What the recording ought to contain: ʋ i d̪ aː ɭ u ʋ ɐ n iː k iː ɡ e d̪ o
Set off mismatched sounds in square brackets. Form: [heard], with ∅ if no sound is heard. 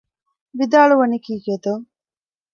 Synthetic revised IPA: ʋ i d̪ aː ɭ u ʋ ɐ n [i] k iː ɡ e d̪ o